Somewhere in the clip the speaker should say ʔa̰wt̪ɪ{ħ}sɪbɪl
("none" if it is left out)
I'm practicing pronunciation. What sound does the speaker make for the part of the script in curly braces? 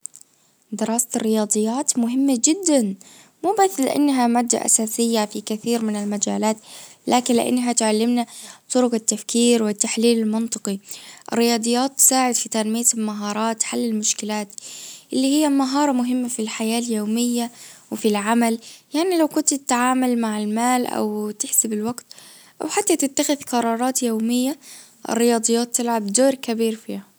ħ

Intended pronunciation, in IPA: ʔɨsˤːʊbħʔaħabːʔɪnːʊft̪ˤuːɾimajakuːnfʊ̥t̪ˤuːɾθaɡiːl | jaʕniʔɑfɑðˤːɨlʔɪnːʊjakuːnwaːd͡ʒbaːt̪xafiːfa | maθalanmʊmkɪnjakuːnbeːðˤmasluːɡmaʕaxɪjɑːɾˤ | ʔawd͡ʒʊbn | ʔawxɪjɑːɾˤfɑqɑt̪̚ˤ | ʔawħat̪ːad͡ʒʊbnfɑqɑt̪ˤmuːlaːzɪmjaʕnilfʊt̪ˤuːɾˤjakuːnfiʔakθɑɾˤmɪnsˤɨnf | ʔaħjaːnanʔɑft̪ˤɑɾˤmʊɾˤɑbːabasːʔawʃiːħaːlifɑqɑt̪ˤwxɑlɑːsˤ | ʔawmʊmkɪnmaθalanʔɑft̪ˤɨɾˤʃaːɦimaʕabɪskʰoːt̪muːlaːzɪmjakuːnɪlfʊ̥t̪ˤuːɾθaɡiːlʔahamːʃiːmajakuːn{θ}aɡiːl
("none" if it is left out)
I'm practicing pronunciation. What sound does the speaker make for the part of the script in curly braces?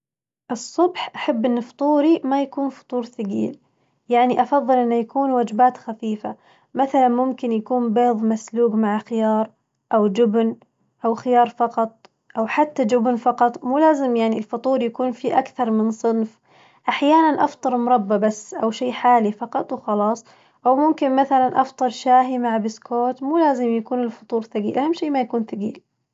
θ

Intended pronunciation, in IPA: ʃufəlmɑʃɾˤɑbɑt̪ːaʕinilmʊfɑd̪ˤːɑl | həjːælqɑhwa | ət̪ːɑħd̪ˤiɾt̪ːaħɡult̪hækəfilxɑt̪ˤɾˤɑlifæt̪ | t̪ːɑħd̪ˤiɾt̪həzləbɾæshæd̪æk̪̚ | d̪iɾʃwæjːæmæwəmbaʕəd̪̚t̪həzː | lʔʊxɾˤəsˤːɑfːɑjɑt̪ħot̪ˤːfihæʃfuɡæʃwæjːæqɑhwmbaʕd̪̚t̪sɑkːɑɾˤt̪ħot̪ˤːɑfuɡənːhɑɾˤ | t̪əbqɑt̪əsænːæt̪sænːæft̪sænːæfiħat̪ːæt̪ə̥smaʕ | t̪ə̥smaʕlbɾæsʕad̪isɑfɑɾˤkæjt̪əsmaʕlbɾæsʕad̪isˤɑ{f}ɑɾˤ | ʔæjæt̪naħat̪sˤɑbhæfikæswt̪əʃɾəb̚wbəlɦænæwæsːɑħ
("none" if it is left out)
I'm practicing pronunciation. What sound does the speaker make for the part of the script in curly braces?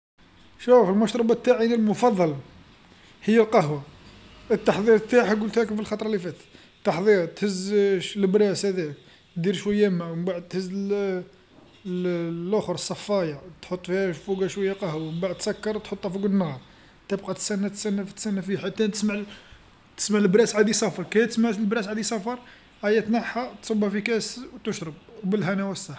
f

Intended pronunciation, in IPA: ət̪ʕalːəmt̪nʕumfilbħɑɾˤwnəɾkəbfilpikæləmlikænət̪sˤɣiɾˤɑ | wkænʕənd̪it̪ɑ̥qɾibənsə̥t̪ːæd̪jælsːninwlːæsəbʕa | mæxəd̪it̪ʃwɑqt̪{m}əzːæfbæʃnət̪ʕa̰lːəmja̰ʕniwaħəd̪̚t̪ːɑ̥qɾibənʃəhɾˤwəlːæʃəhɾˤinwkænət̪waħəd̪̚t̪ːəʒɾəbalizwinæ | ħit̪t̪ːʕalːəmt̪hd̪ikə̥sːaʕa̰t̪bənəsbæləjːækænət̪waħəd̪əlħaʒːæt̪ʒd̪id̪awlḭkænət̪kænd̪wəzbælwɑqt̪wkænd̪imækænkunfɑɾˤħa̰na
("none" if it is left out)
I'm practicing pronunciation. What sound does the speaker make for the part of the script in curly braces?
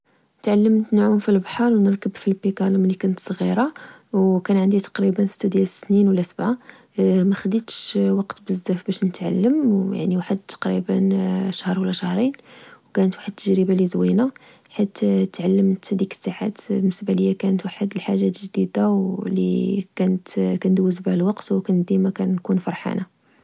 b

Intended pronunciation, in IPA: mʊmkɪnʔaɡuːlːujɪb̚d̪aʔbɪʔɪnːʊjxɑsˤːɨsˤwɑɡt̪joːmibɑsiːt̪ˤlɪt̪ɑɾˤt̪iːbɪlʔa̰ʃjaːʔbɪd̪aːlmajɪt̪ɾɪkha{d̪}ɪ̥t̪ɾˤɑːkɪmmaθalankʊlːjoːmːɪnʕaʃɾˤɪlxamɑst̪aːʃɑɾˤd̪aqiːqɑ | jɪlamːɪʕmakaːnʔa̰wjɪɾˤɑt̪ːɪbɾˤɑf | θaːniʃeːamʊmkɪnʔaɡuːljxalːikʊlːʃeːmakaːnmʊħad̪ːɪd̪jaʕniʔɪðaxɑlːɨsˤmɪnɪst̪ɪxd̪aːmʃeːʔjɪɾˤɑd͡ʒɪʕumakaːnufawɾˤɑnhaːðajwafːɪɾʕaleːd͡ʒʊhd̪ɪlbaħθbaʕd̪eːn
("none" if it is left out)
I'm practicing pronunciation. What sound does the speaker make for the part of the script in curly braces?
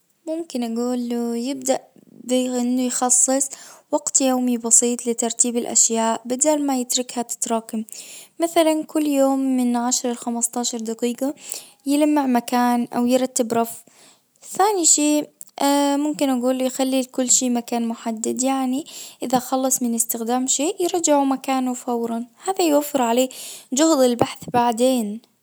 t̪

